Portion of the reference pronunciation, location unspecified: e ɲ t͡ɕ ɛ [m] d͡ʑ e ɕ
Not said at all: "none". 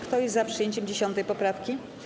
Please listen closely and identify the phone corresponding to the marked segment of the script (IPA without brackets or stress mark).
m